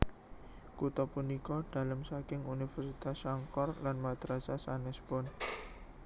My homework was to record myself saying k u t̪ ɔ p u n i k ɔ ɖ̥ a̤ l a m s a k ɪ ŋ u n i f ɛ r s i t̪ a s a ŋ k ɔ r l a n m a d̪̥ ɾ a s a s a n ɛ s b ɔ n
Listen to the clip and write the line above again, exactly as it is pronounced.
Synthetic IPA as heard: k u t̪ ɔ p u n i k ɔ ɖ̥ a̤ l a m s a k ɪ ŋ u n i f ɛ r s i t̪ a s a ŋ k ɔ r l a n m a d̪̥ ɾ a s a s a n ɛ s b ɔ n